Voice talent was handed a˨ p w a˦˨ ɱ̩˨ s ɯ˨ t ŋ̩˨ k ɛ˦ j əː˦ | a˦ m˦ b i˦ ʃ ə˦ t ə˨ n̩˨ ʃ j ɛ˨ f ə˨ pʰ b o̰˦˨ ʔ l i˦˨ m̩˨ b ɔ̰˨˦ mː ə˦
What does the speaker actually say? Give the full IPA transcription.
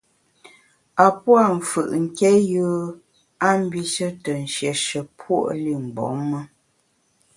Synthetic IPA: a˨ p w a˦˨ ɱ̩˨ f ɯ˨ ʔ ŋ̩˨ k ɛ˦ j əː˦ | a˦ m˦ b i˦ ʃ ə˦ t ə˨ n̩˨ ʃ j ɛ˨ ʃ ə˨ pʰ w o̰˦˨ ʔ l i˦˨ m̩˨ b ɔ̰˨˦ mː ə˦